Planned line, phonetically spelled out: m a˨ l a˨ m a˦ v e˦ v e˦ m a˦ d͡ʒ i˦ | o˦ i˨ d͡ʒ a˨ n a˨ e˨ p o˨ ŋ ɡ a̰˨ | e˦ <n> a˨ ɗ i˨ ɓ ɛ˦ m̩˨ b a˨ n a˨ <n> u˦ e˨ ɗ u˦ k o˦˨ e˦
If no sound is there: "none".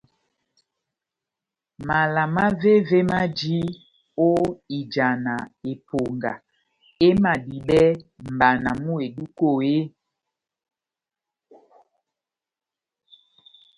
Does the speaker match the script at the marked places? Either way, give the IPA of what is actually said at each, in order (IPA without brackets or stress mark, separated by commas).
m, m